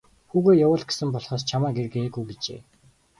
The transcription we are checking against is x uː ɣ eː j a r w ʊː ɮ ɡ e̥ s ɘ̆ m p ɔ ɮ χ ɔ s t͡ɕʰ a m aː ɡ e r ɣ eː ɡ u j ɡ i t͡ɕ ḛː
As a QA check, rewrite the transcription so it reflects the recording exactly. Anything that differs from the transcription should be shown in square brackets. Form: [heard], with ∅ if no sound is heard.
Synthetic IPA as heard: x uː ɣ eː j a [∅] w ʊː ɮ ɡ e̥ s ɘ̆ m p ɔ ɮ χ [ɔː] s t͡ɕʰ a m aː ɡ e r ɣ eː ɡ u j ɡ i t͡ɕ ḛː